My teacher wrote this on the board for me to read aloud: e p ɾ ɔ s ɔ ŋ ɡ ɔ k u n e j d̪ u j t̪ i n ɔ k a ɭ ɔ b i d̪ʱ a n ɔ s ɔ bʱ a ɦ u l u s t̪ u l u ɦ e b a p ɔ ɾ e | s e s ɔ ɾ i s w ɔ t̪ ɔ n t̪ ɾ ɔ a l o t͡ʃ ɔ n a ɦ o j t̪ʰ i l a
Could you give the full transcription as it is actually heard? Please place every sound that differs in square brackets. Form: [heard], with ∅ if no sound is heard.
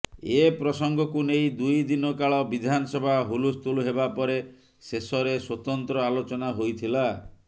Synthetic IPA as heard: e p ɾ ɔ s ɔ ŋ ɡ ɔ k u n e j d̪ u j [d̪] i n ɔ k a ɭ ɔ b i d̪ʱ a n ɔ s ɔ bʱ a ɦ u l u s t̪ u l u ɦ e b a p ɔ ɾ e | s e s ɔ ɾ [e] s w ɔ t̪ ɔ n t̪ ɾ ɔ a l o t͡ʃ ɔ n a ɦ o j t̪ʰ i l a